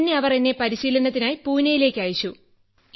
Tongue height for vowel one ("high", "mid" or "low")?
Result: mid